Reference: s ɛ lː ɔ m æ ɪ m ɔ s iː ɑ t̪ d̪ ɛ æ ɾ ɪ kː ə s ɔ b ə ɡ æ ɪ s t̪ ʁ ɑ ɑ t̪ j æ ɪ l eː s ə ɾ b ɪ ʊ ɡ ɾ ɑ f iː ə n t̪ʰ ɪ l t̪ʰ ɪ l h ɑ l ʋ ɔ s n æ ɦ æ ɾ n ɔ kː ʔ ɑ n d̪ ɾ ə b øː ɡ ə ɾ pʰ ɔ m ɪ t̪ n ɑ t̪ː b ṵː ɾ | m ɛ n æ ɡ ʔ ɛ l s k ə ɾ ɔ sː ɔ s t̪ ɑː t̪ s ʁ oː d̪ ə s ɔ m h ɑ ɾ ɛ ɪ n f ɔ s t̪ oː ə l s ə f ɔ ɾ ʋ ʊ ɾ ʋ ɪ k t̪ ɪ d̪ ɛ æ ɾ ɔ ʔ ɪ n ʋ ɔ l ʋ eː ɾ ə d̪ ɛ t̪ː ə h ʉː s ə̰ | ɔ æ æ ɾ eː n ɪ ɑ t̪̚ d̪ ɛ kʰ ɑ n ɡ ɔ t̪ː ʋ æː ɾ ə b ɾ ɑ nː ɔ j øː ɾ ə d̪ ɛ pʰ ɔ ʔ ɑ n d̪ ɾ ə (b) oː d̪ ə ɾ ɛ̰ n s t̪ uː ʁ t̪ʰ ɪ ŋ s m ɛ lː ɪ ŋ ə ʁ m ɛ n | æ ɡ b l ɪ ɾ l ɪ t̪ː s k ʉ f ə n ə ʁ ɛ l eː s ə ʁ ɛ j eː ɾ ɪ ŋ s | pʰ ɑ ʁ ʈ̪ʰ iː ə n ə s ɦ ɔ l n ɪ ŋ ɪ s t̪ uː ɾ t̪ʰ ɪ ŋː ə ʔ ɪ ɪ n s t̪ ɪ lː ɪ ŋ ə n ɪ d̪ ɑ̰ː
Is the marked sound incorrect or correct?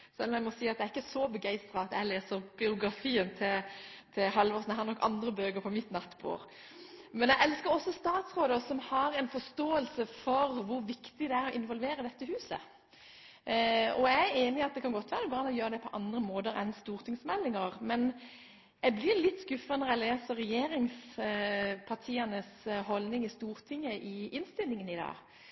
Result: incorrect